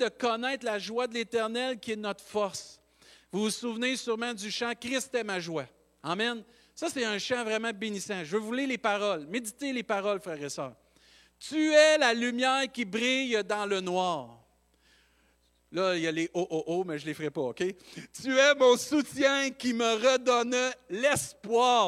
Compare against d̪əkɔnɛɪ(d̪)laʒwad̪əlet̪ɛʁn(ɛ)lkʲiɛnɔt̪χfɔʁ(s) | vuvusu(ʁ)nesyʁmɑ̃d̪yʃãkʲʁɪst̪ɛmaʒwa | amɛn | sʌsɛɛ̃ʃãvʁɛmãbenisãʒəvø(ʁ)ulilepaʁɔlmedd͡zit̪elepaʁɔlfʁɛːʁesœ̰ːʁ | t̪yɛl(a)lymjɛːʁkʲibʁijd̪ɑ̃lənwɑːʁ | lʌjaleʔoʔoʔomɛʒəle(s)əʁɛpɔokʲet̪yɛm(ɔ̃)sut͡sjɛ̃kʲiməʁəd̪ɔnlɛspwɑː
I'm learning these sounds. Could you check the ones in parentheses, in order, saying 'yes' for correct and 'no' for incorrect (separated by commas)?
no, yes, yes, no, no, yes, no, yes